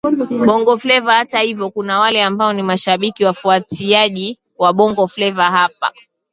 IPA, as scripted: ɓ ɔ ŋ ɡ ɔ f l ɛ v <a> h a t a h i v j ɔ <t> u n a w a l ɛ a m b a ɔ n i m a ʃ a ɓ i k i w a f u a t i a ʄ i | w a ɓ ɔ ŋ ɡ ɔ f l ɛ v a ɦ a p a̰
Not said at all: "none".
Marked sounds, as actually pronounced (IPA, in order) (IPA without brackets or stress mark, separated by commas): a, k